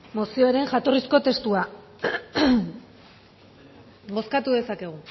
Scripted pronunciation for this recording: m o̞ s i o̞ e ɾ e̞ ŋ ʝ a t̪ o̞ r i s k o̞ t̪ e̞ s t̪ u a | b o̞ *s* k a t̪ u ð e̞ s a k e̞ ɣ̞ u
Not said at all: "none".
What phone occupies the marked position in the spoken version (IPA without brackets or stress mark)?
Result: s